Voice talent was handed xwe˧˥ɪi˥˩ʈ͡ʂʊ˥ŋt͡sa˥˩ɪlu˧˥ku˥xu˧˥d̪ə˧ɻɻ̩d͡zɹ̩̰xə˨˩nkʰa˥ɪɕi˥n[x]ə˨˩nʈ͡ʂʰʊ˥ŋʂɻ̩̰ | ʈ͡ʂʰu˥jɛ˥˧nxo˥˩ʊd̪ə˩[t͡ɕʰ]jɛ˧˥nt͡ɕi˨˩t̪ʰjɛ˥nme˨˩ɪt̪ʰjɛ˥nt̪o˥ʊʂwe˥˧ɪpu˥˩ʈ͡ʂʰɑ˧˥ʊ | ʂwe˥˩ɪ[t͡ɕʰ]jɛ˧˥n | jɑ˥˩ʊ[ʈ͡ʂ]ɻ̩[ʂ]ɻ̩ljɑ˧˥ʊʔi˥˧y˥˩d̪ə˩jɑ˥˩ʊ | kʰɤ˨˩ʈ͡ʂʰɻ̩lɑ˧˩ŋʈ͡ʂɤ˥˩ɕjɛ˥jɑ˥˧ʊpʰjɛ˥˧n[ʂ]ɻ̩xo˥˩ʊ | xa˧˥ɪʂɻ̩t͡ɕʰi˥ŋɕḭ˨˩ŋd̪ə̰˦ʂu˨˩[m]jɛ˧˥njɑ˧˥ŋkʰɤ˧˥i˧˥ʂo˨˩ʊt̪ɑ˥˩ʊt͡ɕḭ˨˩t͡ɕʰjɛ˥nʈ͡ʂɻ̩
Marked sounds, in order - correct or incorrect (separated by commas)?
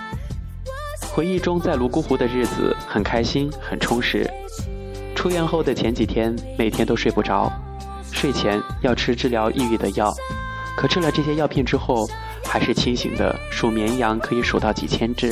correct, correct, correct, incorrect, incorrect, incorrect, correct